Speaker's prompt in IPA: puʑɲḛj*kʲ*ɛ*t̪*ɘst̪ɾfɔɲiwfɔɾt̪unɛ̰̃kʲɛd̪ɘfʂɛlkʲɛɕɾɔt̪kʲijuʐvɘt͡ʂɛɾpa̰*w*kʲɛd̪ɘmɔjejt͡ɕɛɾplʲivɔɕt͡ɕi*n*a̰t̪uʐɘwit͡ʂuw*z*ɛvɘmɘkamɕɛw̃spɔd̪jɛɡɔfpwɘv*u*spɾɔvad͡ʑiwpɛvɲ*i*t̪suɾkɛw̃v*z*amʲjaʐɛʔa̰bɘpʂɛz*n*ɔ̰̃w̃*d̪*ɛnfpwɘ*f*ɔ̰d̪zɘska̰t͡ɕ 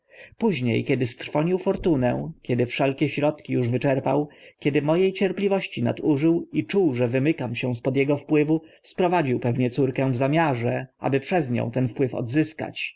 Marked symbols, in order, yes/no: yes, no, yes, yes, no, yes, no, yes, no, no, yes

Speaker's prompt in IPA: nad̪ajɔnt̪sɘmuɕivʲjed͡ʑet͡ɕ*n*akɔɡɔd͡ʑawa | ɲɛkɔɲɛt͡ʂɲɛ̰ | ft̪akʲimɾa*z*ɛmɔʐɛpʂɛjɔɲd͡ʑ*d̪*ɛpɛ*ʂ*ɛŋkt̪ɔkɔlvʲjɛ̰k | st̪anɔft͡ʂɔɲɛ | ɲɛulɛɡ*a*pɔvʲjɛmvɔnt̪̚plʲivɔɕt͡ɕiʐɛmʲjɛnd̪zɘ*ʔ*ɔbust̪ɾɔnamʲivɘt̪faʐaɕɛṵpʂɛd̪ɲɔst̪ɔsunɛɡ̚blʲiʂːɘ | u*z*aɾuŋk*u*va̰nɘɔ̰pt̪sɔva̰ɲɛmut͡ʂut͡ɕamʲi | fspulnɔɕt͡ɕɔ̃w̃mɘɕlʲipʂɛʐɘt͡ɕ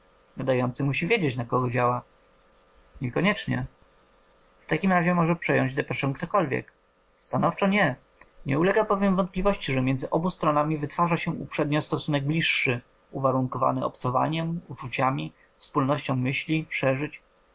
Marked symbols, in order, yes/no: yes, no, yes, yes, yes, yes, no, no

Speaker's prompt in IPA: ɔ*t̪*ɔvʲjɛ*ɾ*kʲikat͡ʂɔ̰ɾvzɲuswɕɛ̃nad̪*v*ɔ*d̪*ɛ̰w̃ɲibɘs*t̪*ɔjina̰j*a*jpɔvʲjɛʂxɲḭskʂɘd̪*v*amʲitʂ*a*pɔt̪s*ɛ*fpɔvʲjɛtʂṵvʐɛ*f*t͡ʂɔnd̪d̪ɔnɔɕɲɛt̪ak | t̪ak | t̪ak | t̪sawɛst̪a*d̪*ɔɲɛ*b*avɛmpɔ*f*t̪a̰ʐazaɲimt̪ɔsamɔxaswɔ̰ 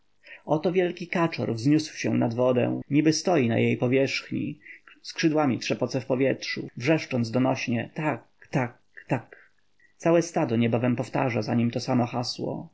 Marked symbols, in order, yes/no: yes, no, yes, yes, yes, no, no, no, yes, no, yes, yes, yes

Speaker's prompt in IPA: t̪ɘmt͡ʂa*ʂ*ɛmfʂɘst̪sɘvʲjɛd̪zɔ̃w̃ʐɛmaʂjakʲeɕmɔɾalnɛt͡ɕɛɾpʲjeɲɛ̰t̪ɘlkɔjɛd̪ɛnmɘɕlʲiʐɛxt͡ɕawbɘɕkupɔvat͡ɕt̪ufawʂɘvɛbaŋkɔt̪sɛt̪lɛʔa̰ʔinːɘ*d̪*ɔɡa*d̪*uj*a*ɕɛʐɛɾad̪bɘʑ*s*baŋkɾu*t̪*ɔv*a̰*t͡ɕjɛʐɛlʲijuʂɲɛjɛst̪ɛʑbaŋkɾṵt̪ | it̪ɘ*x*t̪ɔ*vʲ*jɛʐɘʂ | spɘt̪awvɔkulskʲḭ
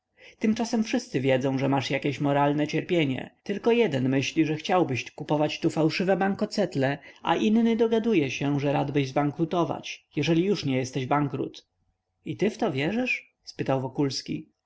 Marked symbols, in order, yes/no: no, yes, yes, no, no, yes, yes, no, yes

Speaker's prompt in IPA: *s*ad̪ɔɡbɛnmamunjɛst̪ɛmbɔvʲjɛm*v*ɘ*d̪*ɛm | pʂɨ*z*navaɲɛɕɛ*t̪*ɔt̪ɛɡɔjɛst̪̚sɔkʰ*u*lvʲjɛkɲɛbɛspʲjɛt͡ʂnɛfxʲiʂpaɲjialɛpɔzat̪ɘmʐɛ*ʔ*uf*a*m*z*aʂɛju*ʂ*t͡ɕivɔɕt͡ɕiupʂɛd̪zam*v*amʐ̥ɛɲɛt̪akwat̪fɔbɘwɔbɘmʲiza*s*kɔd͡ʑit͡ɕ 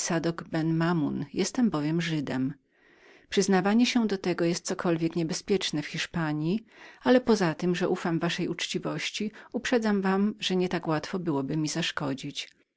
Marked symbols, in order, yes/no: yes, no, yes, yes, no, no, yes, yes, no, no, yes, no

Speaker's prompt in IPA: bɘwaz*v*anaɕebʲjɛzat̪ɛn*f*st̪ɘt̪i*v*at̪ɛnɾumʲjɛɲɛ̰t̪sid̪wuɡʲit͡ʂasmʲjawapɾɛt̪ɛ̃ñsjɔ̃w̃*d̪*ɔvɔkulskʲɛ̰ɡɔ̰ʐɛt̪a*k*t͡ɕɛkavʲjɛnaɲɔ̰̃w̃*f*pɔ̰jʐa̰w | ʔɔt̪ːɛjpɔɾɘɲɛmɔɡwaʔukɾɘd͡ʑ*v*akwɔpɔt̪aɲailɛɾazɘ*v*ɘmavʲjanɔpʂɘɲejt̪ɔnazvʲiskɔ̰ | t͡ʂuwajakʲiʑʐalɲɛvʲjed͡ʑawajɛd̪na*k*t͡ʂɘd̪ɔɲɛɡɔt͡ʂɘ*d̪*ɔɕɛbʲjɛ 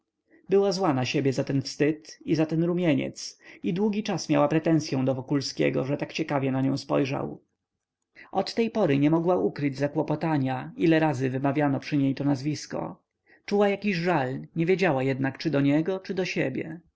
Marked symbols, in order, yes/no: no, yes, no, yes, yes, no, no, yes, yes, yes

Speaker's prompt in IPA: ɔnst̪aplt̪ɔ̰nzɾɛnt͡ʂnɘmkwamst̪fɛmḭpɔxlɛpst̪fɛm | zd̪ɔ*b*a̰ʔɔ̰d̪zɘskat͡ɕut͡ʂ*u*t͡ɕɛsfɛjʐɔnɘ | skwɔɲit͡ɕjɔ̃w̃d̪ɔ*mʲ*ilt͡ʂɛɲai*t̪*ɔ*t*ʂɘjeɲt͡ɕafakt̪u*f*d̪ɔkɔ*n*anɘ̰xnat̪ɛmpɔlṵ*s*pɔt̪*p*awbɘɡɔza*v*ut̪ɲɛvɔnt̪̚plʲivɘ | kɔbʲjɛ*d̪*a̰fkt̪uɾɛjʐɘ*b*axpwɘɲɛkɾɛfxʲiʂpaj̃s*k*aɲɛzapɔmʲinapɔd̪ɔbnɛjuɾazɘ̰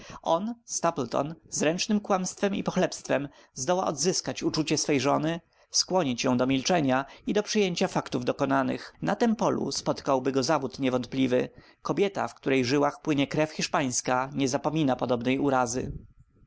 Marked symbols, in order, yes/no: no, yes, yes, no, no, no, yes, yes, no, yes, no, no, yes

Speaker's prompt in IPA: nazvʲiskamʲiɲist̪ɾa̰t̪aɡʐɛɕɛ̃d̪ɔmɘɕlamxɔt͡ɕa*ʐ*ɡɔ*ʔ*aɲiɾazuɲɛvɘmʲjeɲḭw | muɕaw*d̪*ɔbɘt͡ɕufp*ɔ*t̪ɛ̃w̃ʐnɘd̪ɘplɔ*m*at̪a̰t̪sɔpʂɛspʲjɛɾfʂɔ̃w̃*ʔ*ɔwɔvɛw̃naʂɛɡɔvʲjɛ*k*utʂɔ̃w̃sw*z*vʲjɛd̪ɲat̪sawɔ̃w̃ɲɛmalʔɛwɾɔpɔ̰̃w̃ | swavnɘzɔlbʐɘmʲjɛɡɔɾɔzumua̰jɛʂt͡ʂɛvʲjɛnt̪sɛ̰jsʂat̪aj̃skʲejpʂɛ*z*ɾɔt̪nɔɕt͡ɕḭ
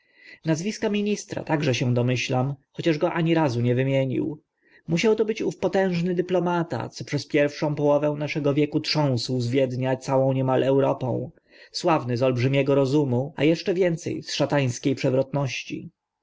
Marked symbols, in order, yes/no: yes, yes, no, yes, yes, no, yes, yes, no

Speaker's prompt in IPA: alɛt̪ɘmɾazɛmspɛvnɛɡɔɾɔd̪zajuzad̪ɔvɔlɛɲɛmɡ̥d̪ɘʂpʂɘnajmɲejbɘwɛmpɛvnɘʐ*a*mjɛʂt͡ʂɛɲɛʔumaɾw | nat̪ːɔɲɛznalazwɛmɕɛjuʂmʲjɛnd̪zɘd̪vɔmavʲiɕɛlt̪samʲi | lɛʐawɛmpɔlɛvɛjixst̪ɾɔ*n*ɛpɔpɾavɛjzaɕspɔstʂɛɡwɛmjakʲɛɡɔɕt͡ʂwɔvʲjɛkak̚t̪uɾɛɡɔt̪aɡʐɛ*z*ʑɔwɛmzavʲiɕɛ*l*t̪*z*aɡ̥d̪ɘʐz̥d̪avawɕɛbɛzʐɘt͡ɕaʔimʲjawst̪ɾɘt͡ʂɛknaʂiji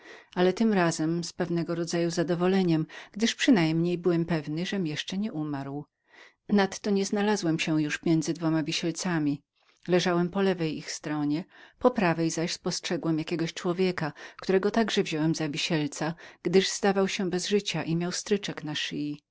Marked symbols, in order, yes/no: no, no, no, yes, no

